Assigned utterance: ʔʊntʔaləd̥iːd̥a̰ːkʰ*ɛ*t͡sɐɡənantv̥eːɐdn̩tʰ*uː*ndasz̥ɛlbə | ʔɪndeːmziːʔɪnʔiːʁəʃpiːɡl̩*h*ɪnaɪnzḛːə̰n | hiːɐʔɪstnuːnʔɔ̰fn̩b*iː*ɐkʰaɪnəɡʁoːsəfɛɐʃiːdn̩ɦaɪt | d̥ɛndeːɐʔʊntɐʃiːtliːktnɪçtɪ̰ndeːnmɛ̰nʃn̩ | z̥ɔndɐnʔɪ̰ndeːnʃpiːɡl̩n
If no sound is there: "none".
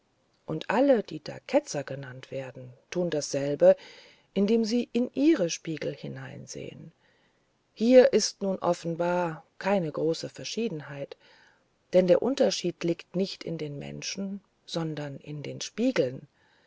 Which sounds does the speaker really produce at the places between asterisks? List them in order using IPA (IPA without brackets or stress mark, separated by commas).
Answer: ɛ, uː, h, aː